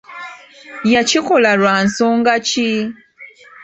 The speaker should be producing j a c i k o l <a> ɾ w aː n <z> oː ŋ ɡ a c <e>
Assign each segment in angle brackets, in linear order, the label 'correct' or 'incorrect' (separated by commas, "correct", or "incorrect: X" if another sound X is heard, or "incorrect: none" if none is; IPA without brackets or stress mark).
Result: correct, incorrect: s, incorrect: i